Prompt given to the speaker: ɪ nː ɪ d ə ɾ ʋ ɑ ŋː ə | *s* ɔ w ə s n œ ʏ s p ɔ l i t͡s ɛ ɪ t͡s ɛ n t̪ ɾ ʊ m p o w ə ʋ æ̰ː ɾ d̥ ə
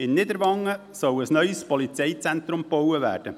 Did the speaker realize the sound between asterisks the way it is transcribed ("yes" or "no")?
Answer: yes